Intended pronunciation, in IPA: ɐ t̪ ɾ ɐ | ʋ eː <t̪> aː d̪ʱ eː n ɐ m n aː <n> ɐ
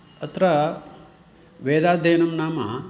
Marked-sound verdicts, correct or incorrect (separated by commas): incorrect, incorrect